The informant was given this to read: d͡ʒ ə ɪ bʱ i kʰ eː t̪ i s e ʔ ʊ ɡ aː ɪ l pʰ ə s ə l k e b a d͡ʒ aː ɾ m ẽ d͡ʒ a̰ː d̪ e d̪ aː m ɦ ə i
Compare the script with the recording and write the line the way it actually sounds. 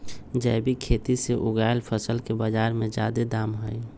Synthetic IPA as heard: d͡ʒ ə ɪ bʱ i kʰ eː t̪ i s e ʔ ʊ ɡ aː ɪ l pʰ ə s ə l k e b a d͡ʒ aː ɾ m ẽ d͡ʒ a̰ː d̪ e d̪ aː m ɦ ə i